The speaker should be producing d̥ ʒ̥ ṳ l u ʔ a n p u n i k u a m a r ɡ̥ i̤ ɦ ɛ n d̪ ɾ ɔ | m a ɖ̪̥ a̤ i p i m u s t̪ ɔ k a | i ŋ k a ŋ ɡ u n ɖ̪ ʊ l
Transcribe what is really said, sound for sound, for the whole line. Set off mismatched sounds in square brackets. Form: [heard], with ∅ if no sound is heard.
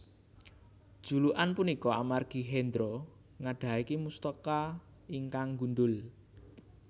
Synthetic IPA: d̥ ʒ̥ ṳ l u ʔ a n p u n i k [ɔ] a m a r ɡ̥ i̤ ɦ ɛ n d̪ ɾ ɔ | [ŋ] a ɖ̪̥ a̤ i [k] i m u s t̪ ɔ k a | i ŋ k a ŋ ɡ u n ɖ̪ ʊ l